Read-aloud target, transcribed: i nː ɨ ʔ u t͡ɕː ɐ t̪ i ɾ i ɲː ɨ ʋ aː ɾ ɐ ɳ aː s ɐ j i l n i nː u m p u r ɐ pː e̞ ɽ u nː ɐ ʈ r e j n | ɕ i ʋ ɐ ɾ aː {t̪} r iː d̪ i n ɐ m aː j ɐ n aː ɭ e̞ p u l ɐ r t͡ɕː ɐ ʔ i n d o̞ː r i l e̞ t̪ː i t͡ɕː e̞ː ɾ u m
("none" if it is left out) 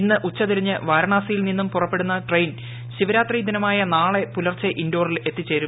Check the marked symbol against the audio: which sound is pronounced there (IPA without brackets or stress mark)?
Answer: t̪